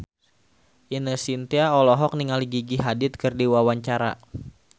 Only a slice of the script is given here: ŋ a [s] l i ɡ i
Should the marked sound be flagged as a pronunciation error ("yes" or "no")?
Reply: yes